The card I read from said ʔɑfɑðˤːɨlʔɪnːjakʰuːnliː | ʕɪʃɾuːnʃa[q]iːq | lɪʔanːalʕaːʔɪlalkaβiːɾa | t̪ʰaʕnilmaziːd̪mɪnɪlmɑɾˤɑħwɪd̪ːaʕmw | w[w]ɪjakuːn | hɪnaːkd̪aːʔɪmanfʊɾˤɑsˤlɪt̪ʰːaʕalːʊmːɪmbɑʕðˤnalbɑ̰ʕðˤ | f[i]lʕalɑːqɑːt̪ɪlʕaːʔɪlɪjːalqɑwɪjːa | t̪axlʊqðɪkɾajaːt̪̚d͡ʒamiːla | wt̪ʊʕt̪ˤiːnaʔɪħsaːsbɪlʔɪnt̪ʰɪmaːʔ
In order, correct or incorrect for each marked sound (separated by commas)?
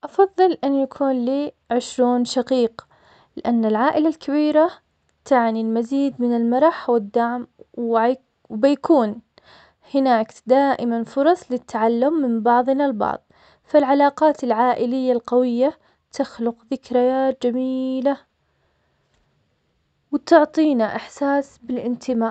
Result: correct, incorrect, incorrect